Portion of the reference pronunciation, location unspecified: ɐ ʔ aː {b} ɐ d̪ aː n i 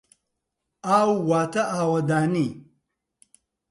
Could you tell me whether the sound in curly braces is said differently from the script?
yes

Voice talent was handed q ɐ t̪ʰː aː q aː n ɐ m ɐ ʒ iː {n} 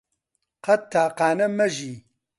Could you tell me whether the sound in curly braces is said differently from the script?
yes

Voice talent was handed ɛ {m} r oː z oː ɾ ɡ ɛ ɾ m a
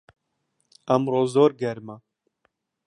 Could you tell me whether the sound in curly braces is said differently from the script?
no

